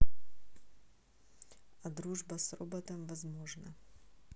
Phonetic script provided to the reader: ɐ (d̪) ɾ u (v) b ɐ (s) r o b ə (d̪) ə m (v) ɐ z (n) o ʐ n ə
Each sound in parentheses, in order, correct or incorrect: correct, incorrect: ʐ, correct, incorrect: t̪, correct, incorrect: m

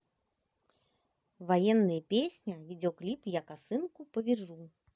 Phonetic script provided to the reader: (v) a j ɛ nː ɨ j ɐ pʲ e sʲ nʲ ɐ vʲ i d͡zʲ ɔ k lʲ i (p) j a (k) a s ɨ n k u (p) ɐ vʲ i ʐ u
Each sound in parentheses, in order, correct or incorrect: correct, correct, correct, correct

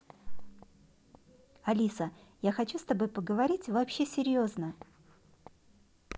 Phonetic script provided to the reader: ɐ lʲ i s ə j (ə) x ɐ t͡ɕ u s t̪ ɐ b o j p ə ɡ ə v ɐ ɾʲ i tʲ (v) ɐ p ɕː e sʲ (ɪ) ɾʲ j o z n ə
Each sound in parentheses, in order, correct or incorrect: incorrect: a, correct, correct

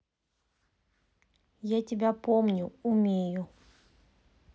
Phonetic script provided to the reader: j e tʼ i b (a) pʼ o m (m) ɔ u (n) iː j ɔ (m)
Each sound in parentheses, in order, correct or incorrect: correct, incorrect: ɲ, incorrect: m, incorrect: none

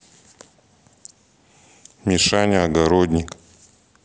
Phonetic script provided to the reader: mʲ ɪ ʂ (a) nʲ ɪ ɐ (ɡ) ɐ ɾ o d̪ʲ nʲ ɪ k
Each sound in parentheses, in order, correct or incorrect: correct, correct

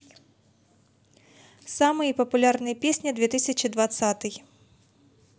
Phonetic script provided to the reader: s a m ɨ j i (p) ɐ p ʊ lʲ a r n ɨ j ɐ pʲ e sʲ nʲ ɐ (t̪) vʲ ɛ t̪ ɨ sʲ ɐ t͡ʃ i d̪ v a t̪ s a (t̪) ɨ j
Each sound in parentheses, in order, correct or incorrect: correct, incorrect: d̪, correct

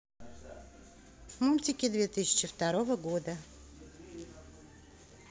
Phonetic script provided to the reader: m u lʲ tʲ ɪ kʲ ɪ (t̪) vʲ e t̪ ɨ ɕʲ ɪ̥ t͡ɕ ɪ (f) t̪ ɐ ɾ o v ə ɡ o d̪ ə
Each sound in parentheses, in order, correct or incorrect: incorrect: d̪, correct

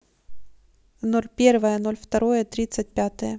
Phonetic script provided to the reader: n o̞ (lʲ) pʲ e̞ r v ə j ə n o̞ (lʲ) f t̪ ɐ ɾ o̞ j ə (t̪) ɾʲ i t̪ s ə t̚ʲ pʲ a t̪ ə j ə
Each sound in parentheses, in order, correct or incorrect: correct, correct, correct

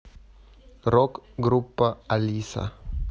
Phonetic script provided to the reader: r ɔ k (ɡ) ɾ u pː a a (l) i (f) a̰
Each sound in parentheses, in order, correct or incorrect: correct, correct, incorrect: s

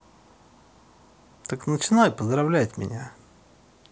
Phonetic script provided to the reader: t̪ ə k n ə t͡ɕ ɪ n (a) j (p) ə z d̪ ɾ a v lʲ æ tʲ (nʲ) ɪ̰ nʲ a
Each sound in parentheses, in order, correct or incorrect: correct, correct, incorrect: mʲ

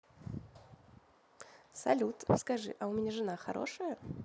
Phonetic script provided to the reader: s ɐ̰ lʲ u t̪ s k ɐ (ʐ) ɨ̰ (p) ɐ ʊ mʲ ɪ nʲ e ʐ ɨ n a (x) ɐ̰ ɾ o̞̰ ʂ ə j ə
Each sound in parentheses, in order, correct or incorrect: correct, incorrect: ʔ, correct

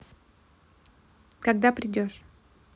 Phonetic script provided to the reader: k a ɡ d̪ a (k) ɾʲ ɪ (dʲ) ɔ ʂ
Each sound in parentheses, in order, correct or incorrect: incorrect: p, correct

